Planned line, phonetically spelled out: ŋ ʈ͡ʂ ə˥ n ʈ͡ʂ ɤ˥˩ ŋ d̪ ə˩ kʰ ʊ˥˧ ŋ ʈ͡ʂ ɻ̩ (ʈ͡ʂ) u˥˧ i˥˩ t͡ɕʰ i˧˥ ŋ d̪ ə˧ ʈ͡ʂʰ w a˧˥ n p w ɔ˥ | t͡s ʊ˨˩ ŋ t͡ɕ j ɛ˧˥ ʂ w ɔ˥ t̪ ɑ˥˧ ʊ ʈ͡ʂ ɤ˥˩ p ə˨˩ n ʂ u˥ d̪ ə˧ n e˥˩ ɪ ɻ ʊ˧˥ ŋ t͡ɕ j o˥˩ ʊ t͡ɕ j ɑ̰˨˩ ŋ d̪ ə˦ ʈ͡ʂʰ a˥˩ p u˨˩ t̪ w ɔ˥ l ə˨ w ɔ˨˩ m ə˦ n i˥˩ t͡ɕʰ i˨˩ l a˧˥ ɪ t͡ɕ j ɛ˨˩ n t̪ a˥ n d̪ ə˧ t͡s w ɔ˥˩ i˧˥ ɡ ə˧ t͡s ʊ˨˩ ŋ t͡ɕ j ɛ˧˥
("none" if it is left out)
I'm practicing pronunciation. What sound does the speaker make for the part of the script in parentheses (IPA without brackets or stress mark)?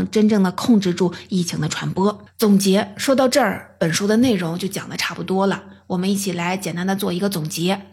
ʈ͡ʂ